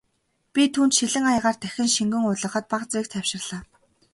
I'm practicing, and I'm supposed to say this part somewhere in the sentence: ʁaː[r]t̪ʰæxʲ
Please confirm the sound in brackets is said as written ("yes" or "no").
yes